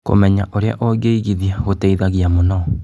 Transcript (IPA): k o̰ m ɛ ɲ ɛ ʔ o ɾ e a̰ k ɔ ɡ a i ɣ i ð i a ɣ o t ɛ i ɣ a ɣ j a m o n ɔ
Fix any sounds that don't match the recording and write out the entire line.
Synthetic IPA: k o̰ m ɛ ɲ a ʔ o ɾ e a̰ ʔ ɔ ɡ e i ɣ i ð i a ɣ o t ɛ i ð a ɣ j a m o n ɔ